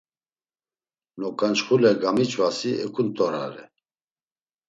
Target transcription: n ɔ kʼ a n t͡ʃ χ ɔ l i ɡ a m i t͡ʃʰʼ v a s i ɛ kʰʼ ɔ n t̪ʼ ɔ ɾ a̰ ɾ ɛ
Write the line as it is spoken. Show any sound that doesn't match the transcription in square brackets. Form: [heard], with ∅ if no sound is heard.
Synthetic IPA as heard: n ɔ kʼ a n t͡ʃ χ [u] l [ɛ] ɡ a m i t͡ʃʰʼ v a s i ɛ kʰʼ [u] n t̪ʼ ɔ ɾ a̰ ɾ ɛ